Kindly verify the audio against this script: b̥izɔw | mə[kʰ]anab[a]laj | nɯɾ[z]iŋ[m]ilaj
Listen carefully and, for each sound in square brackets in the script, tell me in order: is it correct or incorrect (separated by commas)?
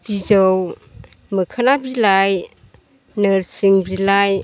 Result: correct, incorrect, incorrect, incorrect